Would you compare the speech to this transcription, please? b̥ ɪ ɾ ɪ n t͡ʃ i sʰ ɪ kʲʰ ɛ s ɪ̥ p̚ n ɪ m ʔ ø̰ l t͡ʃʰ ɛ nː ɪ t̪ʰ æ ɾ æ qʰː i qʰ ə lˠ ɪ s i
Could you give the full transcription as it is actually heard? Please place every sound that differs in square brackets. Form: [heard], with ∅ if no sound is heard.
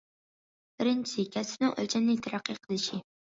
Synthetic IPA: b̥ ɪ ɾ ɪ n t͡ʃ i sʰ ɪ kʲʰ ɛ s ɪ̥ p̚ n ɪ [ŋ] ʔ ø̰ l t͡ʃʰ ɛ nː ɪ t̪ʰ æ ɾ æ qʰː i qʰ ə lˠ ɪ [ʃ] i